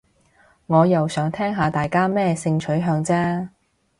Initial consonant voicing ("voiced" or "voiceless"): voiced